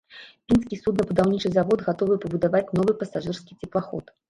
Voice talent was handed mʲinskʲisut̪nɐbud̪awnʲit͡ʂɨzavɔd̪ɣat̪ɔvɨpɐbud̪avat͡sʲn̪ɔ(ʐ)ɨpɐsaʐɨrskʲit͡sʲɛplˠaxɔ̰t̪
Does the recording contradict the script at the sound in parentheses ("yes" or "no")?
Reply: yes